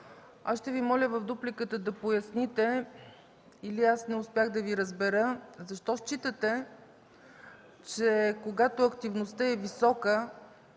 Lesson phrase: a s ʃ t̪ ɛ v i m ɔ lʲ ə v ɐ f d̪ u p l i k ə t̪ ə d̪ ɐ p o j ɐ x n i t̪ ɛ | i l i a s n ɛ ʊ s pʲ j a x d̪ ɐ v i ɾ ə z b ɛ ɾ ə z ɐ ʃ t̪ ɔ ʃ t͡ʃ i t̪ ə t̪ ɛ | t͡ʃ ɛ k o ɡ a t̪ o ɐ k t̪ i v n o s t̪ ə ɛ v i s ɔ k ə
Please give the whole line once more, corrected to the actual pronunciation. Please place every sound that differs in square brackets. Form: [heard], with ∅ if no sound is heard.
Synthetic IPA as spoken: a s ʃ t̪ ɛ v i m ɔ lʲ ə v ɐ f d̪ u p l i k ə t̪ ə d̪ ɐ p o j ɐ [s] n i t̪ ɛ | i l i a s n ɛ ʊ s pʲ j a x d̪ ɐ v i ɾ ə z b ɛ ɾ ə z ɐ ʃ t̪ ɔ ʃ t͡ʃ i t̪ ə t̪ ɛ | t͡ʃ ɛ k o ɡ a t̪ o ɐ k t̪ i v n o s t̪ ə ɛ v i s ɔ k ə